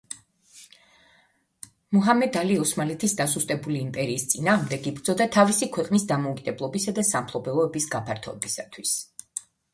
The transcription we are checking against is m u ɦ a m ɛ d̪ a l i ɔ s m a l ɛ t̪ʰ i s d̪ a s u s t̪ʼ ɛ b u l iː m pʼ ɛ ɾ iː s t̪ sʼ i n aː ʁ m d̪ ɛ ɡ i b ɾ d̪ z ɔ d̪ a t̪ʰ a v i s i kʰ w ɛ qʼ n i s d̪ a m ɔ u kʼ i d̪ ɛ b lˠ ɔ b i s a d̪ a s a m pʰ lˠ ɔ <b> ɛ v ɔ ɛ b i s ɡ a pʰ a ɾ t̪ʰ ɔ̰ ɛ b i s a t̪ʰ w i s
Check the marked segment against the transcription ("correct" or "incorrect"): correct